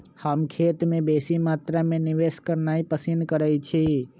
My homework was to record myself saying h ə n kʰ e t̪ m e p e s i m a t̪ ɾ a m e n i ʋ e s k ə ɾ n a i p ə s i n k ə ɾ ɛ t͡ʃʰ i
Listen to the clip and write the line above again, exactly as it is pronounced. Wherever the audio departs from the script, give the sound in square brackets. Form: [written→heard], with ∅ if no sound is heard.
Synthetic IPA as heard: h ə [n→m] kʰ e t̪ m e [p→b] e s i m a t̪ ɾ a m e n i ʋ e s k ə ɾ n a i p ə s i n k ə ɾ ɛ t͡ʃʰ i